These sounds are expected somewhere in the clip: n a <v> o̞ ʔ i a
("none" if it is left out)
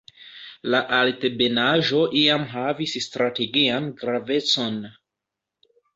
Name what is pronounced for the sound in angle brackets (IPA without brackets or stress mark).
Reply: ʒ